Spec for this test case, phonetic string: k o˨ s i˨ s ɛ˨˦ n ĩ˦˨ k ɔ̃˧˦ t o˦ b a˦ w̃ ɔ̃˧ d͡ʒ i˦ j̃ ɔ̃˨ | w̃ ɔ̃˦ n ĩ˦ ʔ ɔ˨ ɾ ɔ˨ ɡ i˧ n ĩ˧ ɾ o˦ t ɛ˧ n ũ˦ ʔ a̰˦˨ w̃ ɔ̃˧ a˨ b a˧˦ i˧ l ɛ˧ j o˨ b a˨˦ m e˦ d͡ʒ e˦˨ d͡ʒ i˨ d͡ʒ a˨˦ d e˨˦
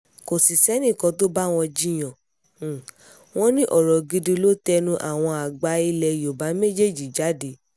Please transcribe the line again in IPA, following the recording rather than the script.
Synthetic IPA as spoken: k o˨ s i˨ s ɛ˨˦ n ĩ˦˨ k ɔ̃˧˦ t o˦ b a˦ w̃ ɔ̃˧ d͡ʒ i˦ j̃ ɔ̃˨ | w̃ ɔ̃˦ n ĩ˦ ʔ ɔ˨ ɾ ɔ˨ ɡ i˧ d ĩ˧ l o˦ t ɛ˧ n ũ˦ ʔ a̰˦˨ w̃ ɔ̃˧ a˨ ɡ͡b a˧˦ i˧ l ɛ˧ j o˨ b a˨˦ m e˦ d͡ʒ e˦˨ d͡ʒ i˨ d͡ʒ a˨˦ d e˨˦